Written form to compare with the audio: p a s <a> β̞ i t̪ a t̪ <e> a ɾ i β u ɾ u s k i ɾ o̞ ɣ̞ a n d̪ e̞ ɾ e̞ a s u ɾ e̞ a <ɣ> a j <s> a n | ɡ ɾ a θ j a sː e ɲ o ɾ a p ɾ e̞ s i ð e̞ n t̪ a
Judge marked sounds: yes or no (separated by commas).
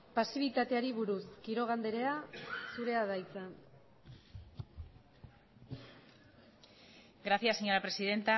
no, yes, no, no